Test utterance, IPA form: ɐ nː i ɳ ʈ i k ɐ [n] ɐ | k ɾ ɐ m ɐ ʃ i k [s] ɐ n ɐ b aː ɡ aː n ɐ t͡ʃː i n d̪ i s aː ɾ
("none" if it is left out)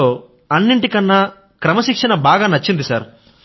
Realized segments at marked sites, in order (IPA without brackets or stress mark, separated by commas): nː, ʂ